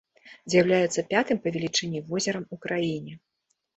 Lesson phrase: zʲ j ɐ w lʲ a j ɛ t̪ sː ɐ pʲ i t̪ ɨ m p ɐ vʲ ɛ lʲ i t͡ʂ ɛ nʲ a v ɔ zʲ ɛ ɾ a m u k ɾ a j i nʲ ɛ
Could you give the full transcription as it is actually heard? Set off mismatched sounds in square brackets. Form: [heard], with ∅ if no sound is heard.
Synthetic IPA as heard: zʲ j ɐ w lʲ a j ɛ t̪ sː ɐ pʲ [a] t̪ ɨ m p ɐ vʲ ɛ lʲ i t͡ʂ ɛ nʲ [i] v ɔ zʲ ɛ ɾ [ɐ] m u k ɾ a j i nʲ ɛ